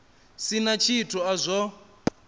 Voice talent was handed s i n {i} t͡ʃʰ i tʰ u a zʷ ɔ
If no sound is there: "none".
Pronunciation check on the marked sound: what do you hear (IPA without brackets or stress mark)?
a